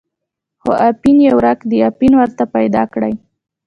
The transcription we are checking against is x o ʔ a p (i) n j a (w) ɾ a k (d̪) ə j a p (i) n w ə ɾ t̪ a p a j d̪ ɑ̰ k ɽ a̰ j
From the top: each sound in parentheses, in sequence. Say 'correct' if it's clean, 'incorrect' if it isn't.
correct, correct, correct, correct

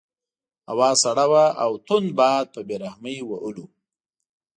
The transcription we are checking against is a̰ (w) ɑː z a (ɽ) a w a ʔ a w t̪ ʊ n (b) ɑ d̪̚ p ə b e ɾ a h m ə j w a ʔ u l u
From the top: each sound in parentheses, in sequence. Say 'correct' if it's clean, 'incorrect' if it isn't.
correct, correct, correct

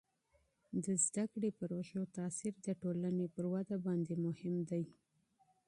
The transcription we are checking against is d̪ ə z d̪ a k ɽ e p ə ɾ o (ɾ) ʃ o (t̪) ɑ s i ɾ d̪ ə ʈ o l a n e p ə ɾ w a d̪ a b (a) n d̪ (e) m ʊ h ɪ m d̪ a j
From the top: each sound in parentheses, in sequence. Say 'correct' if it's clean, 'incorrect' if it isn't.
incorrect, correct, incorrect, correct

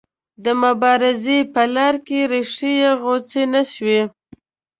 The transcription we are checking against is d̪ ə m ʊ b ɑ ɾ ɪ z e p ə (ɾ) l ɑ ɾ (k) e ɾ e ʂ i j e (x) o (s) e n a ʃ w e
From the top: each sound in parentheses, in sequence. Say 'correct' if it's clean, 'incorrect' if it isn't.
incorrect, correct, incorrect, incorrect

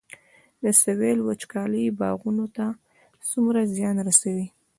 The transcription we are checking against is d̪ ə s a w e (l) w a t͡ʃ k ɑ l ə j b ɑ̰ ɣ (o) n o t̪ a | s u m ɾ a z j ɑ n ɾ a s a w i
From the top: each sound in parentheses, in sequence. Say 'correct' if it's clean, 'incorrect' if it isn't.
correct, incorrect

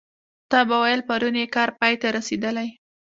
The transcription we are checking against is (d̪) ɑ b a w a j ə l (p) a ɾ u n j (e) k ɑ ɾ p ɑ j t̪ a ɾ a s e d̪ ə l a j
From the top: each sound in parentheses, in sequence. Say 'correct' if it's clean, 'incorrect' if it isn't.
incorrect, correct, correct

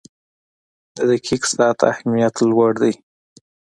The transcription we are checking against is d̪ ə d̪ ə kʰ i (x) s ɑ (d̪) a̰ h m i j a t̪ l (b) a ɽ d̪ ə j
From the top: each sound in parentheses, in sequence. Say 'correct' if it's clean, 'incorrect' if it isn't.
incorrect, incorrect, incorrect

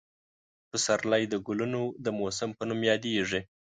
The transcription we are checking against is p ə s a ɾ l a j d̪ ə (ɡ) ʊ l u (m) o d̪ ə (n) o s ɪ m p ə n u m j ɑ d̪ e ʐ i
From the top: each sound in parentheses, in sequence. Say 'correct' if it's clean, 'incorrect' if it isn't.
correct, incorrect, incorrect

